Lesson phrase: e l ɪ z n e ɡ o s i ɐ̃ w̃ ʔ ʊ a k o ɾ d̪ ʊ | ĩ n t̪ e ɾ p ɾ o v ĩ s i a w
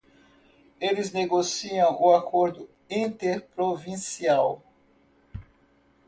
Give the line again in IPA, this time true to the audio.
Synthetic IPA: e l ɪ z n e ɡ o s i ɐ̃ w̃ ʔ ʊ a k o ɾ d̪ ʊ | ĩ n t̪ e ɾ p ɾ o v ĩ s i a w